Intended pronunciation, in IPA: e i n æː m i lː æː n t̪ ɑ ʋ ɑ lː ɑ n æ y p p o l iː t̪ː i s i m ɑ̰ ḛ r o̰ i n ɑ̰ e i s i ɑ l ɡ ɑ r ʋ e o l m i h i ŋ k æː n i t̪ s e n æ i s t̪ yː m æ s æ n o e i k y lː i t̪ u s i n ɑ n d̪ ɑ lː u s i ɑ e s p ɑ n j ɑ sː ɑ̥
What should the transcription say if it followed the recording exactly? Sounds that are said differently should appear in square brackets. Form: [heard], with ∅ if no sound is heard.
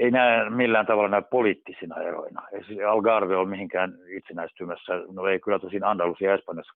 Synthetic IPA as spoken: e i n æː m i lː æː n t̪ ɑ ʋ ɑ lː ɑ n æ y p p o l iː t̪ː i s i [n] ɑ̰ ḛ r o̰ i n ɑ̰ e i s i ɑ l ɡ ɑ r ʋ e o l m i h i ŋ k æː n i t̪ s e n æ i s t̪ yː m æ [sː] æ n o e i k y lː [æ] t̪ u s i n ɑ n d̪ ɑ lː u s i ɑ e s p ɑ n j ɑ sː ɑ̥